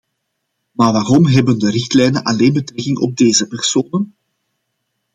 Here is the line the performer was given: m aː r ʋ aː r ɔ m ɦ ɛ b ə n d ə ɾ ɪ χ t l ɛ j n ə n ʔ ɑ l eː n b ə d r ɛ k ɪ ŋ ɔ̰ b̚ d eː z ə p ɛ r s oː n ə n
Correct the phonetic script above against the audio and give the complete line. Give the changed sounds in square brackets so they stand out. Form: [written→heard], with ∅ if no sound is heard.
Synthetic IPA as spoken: m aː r ʋ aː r ɔ m ɦ ɛ b ə n d ə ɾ ɪ [χ→x] t l ɛ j n ə n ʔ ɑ l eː n b ə [d→t] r ɛ k ɪ ŋ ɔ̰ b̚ d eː z ə p ɛ r s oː n ə n